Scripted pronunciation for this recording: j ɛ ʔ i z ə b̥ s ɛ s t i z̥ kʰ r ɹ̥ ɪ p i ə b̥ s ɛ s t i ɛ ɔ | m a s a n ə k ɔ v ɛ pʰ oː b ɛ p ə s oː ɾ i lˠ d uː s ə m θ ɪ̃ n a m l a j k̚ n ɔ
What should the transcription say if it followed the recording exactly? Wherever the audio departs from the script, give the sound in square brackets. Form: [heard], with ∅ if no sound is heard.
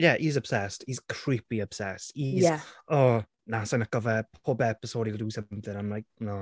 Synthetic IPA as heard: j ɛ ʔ i z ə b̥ s ɛ s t i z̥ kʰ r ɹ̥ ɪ p i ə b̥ s ɛ s t i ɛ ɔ | [n] a s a n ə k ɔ v ɛ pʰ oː b ɛ p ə s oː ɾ i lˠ d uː s ə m θ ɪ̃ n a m l a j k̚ n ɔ